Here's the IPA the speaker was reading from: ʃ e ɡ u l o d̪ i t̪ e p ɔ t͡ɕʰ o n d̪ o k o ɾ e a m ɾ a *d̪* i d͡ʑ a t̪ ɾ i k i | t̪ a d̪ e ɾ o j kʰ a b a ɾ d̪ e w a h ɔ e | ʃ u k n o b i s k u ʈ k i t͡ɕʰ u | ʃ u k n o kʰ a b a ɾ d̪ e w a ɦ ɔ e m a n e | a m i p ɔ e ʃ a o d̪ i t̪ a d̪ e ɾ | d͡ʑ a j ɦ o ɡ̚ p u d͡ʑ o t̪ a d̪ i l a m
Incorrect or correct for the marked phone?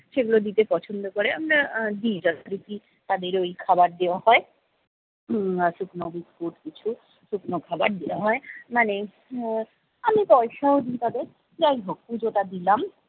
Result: correct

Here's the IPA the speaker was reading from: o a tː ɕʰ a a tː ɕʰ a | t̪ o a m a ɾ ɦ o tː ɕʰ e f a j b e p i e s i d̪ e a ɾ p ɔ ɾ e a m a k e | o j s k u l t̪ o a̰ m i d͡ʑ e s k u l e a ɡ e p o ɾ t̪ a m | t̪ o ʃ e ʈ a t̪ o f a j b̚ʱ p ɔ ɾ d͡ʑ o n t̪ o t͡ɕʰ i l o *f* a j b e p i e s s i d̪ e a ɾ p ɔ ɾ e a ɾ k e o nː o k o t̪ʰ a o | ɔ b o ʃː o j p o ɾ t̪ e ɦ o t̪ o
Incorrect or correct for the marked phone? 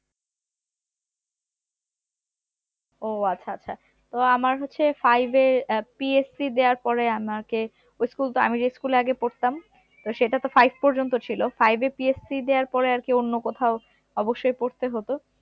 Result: correct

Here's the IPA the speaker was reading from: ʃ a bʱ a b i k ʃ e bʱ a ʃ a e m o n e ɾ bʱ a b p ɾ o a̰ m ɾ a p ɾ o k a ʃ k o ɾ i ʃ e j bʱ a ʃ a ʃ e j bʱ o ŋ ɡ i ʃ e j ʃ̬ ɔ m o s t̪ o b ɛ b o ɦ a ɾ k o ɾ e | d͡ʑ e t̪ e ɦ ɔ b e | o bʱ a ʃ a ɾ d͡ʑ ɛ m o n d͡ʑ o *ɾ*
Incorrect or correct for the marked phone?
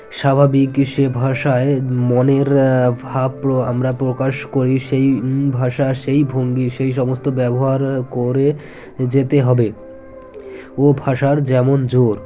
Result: correct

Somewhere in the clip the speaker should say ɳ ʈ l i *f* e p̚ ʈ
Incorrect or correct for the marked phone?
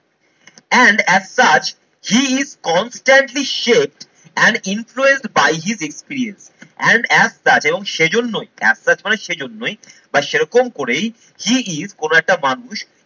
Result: incorrect: ʃ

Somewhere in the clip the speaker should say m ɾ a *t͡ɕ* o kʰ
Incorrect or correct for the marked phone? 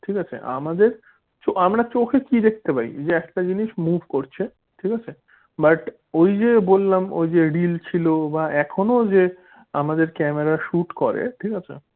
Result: correct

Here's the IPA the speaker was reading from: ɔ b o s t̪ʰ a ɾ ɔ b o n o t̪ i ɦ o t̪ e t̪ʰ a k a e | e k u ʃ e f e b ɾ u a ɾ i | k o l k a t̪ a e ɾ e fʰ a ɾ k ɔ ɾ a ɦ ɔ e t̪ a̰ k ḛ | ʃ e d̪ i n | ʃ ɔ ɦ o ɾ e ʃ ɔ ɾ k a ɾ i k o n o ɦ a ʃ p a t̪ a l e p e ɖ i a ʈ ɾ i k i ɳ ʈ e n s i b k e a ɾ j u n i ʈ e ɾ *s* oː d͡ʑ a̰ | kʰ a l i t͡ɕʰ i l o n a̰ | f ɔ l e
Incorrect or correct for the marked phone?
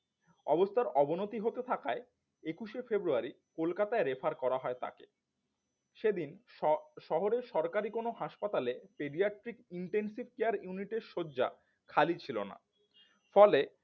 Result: incorrect: ʃ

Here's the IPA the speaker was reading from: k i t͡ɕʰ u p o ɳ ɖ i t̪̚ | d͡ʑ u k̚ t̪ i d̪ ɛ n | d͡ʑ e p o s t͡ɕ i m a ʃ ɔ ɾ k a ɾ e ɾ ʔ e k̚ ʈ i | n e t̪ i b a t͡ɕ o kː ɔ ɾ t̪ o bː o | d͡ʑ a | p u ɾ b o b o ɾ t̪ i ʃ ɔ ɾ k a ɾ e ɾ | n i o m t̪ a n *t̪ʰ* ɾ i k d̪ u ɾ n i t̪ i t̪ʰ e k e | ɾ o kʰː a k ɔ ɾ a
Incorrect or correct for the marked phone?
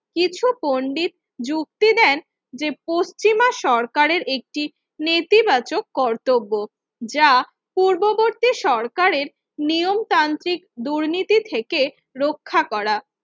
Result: incorrect: t̪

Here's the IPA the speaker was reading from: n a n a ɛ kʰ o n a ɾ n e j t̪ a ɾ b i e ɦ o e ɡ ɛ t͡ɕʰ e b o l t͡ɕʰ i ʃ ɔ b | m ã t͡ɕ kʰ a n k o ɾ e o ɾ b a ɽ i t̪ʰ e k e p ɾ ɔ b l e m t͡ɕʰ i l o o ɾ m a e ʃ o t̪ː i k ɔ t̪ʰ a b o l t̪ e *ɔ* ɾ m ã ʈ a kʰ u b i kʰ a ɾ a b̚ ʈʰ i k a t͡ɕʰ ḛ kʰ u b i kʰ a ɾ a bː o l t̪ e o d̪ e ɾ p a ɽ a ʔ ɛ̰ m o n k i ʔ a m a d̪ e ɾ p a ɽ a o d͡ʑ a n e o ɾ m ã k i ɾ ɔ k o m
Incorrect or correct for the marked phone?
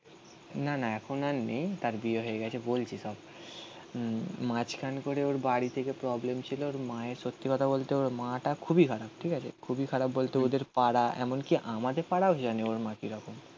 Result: incorrect: o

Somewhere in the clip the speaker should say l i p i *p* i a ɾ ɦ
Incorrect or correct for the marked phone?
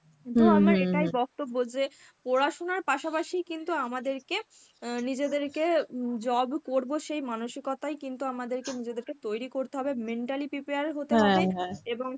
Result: correct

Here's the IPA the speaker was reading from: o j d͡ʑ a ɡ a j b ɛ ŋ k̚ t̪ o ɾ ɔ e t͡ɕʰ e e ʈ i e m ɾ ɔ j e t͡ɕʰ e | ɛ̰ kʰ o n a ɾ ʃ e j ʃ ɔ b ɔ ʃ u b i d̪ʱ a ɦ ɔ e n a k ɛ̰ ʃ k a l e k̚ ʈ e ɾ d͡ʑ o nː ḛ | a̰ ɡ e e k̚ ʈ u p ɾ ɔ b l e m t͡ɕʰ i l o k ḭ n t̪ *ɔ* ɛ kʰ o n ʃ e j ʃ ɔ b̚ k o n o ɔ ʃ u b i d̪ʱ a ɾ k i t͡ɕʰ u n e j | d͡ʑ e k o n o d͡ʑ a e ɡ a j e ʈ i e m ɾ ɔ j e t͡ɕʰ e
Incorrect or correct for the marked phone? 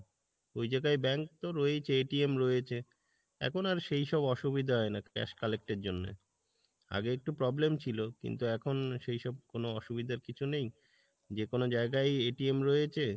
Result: incorrect: u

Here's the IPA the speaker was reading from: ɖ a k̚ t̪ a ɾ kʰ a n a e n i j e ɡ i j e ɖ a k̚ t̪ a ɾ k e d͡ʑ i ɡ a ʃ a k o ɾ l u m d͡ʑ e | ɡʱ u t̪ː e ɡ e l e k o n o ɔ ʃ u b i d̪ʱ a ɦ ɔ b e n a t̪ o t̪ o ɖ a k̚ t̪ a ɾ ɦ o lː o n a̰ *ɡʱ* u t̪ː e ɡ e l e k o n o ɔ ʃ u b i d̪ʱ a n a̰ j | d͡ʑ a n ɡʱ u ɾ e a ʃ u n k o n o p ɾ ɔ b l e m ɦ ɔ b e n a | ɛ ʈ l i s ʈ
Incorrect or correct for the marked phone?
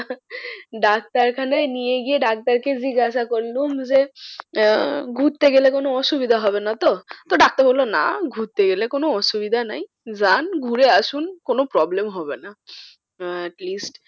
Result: correct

